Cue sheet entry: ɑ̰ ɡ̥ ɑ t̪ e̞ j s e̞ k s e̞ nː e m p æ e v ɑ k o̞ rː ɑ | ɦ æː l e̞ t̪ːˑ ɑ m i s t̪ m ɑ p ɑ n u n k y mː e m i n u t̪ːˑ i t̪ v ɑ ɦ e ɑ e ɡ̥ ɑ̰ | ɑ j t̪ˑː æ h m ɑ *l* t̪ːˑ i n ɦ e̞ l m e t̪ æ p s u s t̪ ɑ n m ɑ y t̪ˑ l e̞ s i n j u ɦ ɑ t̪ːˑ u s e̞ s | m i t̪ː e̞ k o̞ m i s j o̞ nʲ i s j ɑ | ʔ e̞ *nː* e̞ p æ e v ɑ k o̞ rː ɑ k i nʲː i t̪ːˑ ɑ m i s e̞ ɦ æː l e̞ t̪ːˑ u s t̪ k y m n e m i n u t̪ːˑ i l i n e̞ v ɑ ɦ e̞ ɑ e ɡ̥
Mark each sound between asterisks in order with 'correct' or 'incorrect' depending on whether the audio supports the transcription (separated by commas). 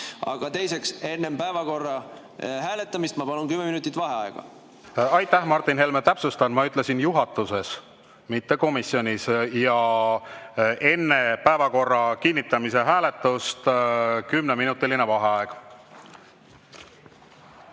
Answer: incorrect, correct